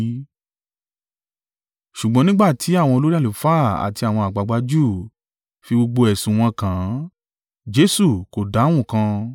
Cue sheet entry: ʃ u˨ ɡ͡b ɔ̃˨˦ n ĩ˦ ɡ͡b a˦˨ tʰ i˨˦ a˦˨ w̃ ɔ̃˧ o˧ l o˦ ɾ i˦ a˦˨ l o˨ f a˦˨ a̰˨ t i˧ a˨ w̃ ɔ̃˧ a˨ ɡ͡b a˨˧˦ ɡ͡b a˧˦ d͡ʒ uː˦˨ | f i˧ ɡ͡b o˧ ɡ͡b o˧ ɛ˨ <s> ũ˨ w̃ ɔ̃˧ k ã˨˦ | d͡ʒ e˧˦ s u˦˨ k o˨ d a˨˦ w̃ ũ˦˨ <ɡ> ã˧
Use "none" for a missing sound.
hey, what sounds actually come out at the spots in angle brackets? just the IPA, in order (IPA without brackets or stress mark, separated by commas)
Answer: s, k